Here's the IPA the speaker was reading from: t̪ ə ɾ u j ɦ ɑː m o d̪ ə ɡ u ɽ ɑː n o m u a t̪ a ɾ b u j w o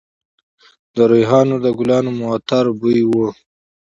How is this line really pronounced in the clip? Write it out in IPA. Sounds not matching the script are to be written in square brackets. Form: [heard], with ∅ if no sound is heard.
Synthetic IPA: [d̪] ə ɾ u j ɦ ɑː [n] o d̪ ə ɡ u [l] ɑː n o m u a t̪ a ɾ b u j w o